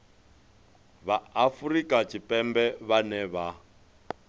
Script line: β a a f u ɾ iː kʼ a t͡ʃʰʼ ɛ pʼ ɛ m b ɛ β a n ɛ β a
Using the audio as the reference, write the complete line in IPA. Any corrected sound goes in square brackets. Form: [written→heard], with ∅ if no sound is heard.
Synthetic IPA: β a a f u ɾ [iː→i] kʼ a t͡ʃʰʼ [ɛ→i] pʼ ɛ m b ɛ β a n ɛ β a

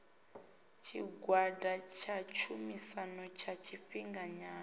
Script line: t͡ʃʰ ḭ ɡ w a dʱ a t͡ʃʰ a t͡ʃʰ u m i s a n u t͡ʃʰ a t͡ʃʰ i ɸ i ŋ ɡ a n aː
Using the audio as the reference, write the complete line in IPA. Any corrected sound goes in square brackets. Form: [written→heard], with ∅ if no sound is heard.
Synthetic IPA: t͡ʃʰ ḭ ɡ w a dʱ a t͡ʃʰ a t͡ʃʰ u m i s a n [u→ɔ] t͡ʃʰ a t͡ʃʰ i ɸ i ŋ ɡ a [n→ɲ] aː

